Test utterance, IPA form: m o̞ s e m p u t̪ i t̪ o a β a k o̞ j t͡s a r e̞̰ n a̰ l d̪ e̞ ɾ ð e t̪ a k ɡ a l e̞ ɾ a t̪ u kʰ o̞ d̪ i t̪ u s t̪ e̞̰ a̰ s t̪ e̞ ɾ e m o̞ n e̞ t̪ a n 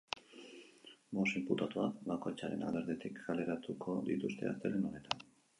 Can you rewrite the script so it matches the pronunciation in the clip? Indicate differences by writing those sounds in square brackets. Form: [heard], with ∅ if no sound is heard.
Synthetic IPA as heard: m o̞ s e m p u t̪ [a] t̪ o a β a k o̞ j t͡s a [ɾ] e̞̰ n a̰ l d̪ e̞ ɾ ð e t̪ [i] k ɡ a l e̞ ɾ a t̪ u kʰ o̞ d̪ i t̪ u s t̪ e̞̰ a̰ s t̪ e̞ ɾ e [n] o̞ n e̞ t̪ a n